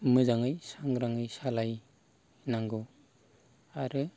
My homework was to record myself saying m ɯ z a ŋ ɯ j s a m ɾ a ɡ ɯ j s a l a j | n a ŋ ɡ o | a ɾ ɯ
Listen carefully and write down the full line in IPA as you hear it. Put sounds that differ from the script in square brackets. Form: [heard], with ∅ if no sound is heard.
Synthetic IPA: m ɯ z a ŋ ɯ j s a [ŋ] ɾ a [ŋ] ɯ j s a l a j | n a ŋ ɡ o | a ɾ ɯ